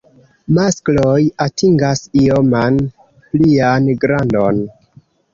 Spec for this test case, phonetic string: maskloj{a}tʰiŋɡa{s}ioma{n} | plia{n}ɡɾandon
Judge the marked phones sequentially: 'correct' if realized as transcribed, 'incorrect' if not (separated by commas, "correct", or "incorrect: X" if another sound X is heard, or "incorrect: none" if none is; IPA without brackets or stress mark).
correct, correct, correct, correct